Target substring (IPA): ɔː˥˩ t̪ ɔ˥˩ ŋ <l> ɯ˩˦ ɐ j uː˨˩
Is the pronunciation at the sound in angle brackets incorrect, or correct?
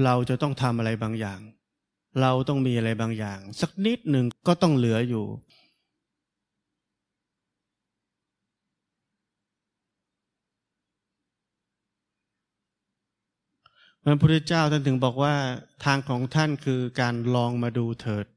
correct